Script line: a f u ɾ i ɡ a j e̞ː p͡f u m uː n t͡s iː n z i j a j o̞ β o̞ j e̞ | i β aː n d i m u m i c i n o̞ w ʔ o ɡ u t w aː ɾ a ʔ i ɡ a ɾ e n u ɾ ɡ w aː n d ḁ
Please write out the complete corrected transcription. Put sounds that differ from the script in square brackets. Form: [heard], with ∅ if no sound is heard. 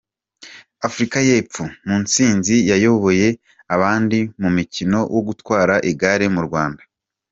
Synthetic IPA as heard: a f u ɾ i [k] a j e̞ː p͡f u m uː n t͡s iː n z i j a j o̞ β o̞ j e̞ | [a] β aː n d i m u m i c i n o̞ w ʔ o ɡ u t w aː ɾ a ʔ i ɡ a ɾ e [m] u ɾ ɡ w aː n d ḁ